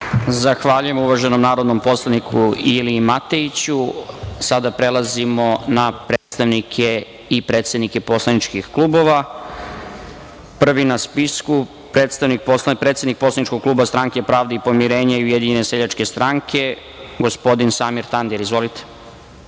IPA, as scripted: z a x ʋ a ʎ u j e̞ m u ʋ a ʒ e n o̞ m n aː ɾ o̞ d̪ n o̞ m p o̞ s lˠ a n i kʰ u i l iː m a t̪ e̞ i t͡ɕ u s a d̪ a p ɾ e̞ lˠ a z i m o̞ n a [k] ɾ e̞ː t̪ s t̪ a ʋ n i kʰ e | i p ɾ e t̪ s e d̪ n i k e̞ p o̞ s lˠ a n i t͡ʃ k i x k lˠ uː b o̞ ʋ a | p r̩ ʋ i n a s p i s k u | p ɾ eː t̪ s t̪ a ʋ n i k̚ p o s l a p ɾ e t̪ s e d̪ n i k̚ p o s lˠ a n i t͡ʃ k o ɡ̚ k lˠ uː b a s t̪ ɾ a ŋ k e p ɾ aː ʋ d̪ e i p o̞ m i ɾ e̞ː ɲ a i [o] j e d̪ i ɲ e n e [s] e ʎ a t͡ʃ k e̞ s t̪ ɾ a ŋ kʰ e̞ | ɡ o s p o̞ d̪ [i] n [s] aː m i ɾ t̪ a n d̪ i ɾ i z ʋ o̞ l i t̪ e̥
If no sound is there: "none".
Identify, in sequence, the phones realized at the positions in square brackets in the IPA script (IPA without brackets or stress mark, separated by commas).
p, u, s, i, s